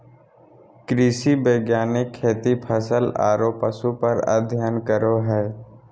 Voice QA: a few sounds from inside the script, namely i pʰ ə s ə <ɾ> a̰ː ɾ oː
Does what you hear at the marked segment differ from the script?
yes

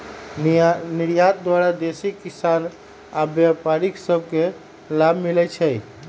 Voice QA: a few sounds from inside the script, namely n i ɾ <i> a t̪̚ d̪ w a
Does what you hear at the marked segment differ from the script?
yes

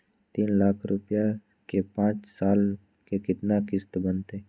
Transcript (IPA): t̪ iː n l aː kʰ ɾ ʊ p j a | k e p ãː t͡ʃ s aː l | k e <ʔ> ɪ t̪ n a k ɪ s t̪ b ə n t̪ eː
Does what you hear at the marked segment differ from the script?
yes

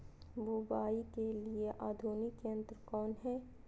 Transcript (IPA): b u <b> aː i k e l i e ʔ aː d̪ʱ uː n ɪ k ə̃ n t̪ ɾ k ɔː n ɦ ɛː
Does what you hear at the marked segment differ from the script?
no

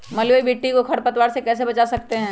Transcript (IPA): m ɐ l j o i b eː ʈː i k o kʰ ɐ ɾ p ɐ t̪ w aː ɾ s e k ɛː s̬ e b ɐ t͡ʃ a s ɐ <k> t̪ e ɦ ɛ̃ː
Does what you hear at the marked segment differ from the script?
no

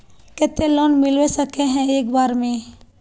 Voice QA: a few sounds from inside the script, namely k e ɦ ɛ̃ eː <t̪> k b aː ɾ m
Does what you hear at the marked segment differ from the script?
yes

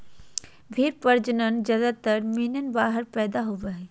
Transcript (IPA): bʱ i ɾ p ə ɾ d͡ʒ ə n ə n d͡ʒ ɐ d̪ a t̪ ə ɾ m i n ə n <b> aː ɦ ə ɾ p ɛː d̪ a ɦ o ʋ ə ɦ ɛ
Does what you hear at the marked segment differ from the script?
no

